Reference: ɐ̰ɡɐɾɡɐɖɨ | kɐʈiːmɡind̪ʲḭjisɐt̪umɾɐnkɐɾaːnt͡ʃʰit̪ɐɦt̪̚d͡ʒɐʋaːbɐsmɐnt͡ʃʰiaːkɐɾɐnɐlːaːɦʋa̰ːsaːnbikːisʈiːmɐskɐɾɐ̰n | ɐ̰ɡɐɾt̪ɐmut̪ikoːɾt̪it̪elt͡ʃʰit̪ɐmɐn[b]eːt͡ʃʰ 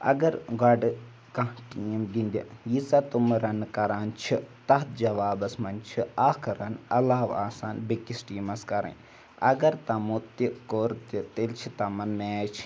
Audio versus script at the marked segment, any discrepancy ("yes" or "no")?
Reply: yes